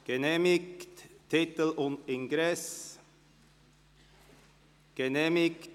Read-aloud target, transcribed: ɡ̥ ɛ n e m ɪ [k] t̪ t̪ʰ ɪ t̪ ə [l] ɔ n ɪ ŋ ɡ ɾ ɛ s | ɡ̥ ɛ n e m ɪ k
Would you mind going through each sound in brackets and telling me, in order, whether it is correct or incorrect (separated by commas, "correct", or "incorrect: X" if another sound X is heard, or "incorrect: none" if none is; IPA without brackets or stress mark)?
correct, correct